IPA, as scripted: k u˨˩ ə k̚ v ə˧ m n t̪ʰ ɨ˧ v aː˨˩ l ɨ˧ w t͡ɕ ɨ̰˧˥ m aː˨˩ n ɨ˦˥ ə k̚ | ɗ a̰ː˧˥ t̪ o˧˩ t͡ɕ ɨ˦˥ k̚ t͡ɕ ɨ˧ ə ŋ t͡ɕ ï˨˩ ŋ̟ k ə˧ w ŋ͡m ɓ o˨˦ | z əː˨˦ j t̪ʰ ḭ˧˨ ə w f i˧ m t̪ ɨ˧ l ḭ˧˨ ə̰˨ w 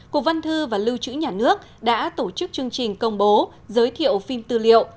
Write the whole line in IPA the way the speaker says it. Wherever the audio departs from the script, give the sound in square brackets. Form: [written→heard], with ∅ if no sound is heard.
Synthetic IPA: k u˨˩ ə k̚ v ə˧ [m→∅] n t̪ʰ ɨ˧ v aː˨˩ l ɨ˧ w t͡ɕ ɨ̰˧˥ [m→ɲ] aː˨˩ n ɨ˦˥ ə k̚ | ɗ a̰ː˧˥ t̪ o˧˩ t͡ɕ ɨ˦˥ k̚ t͡ɕ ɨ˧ ə ŋ t͡ɕ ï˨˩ ŋ̟ k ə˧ w ŋ͡m ɓ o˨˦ | z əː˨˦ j t̪ʰ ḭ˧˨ ə w f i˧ m t̪ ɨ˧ l ḭ˧˨ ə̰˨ w